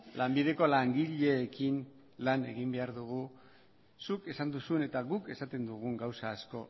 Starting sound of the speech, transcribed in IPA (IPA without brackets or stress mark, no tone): l